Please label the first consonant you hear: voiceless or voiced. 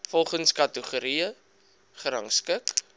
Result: voiceless